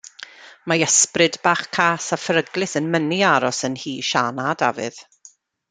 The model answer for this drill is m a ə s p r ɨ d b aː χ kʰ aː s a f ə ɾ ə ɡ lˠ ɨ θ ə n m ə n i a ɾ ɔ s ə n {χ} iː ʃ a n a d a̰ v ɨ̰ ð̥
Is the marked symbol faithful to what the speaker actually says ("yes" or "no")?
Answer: no